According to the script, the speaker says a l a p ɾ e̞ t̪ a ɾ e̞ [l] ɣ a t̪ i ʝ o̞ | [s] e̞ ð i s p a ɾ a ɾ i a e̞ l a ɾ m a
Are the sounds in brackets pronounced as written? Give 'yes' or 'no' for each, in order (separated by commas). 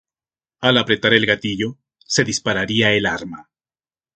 yes, yes